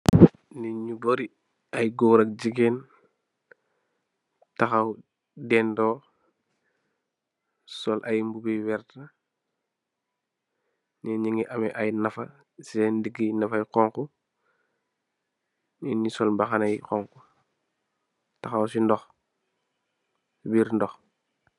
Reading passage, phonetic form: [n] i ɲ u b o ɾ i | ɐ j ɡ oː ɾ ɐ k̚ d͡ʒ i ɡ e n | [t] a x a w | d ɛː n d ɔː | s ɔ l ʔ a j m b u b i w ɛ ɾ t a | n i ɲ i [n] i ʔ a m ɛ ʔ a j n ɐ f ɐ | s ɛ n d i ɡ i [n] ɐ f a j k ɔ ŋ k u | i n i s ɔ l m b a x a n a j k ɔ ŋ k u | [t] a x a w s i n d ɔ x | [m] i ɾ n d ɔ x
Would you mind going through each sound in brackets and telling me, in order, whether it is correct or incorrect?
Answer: correct, correct, incorrect: ŋ, correct, correct, incorrect: b

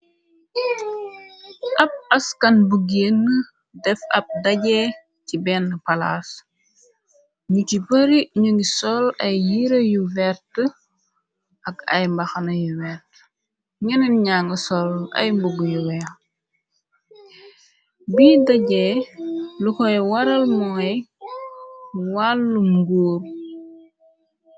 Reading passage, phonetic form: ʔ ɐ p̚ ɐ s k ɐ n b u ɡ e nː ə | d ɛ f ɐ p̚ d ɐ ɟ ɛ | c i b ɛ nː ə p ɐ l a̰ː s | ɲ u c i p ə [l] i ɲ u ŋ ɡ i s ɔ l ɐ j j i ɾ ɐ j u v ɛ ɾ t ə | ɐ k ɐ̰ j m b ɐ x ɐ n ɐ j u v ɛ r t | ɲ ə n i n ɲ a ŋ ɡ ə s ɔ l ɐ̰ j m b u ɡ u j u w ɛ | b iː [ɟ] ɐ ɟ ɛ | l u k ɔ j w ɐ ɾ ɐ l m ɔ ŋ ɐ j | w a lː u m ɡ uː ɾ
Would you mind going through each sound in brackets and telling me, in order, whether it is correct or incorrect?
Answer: incorrect: ɾ, incorrect: d

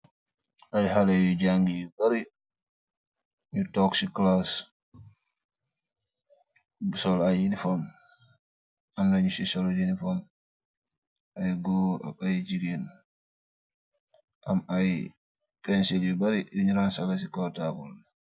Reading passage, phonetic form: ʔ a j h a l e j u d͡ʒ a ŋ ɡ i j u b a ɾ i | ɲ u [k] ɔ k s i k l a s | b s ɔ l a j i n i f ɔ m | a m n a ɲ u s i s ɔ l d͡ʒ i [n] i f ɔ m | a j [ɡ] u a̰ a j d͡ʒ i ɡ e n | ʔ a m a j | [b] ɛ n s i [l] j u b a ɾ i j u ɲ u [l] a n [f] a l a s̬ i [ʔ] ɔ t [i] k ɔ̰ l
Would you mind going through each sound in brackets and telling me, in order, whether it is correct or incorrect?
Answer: incorrect: t, correct, correct, incorrect: p, correct, incorrect: ɾ, incorrect: s, incorrect: k, incorrect: a

